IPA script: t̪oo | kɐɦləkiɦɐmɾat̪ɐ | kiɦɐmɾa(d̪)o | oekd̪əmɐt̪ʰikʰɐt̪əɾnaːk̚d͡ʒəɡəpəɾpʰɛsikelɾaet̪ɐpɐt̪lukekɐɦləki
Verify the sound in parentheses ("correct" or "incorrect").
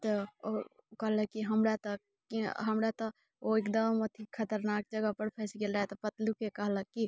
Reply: incorrect